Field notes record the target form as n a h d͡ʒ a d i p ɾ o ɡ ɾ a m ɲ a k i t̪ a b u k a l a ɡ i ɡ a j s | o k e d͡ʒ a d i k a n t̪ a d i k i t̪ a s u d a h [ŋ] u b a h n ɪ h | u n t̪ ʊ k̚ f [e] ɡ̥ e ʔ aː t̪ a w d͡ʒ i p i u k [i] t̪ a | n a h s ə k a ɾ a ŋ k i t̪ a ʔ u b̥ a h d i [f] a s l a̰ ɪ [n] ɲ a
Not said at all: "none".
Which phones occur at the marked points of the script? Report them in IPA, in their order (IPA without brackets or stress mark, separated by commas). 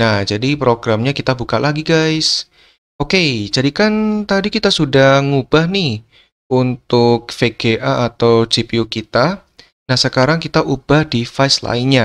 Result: ŋ, e, i, f, n